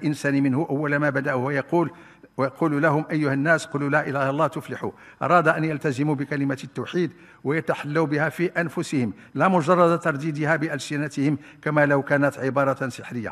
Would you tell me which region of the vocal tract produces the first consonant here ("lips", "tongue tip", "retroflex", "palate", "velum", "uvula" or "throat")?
throat